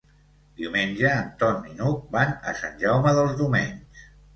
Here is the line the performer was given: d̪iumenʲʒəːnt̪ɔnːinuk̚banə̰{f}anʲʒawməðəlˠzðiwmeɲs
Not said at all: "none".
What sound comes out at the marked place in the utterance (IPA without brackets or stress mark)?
s